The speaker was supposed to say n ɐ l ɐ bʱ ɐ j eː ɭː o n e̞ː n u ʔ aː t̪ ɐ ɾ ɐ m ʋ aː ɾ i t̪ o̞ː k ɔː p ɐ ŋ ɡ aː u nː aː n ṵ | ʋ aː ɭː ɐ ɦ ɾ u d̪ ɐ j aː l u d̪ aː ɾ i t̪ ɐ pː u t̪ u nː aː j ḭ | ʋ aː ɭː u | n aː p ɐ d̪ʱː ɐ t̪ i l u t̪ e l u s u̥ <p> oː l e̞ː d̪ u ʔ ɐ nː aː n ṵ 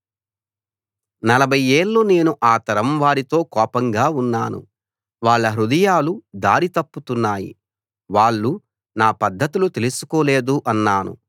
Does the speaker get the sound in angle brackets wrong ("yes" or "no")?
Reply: yes